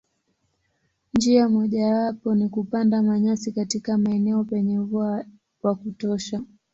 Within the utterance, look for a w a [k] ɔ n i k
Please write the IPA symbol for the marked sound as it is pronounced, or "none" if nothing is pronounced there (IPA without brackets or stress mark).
p